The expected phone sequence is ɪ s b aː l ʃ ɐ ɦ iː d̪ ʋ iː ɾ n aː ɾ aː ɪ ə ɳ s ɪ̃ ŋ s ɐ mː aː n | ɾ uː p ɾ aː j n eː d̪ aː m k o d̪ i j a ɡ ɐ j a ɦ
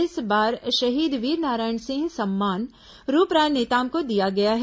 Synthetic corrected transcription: ɪ s b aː ɾ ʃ ɐ ɦ iː d̪ ʋ iː ɾ n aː ɾ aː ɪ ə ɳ s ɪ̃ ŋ s ɐ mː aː n | ɾ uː p ɾ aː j n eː t̪ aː m k o d̪ i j a ɡ ɐ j a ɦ